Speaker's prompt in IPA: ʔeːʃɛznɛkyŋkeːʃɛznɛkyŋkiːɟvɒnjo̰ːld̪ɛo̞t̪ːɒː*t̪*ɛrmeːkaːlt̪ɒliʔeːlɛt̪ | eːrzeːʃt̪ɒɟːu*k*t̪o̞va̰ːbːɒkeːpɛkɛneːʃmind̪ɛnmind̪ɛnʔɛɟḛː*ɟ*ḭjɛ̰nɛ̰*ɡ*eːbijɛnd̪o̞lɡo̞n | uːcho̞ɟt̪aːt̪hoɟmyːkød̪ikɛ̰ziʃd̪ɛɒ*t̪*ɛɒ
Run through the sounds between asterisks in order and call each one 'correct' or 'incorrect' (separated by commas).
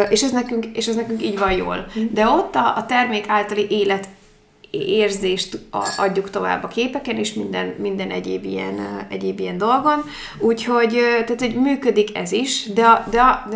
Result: correct, correct, incorrect, incorrect, incorrect